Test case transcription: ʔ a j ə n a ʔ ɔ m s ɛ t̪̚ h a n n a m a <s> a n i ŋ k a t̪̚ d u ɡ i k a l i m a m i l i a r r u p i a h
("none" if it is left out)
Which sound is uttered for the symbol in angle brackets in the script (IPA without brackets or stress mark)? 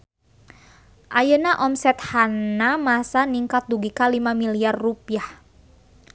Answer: s